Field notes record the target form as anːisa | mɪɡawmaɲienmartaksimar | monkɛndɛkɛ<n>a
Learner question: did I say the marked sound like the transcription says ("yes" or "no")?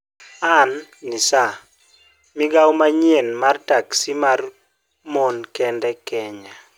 no